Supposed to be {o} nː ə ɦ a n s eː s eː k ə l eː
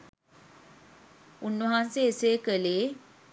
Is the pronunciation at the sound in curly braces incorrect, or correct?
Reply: incorrect